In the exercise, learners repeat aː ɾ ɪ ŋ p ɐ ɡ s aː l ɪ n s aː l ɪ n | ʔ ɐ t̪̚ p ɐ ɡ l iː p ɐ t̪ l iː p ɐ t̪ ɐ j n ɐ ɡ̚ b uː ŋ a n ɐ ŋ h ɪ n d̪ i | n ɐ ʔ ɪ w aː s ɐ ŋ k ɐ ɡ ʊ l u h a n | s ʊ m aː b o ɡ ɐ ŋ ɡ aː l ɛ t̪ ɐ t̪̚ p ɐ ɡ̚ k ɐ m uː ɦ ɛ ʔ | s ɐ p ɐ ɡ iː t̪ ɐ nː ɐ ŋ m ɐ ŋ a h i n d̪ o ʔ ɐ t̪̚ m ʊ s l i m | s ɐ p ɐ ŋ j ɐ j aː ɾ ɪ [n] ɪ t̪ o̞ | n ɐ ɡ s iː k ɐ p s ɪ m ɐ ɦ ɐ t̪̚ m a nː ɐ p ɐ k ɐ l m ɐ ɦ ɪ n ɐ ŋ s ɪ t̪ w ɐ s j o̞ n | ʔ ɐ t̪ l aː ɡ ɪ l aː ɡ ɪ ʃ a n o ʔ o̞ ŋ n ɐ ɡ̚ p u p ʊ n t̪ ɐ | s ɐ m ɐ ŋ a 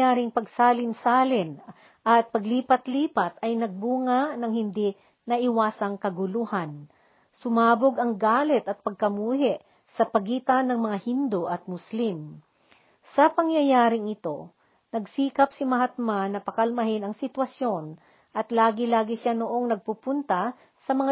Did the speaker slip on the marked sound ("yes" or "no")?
yes